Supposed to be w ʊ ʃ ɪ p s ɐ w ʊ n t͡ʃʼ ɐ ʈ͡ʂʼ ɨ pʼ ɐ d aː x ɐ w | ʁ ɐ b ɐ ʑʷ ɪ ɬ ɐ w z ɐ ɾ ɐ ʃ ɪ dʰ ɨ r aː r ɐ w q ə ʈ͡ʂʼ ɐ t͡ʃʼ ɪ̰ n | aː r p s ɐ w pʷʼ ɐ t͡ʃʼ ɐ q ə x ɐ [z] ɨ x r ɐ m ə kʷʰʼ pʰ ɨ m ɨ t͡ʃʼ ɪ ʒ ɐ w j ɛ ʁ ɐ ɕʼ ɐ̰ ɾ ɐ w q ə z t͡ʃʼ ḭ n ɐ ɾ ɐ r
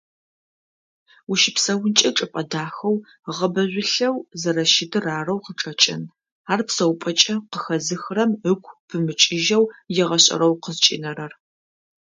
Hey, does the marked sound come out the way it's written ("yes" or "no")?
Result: yes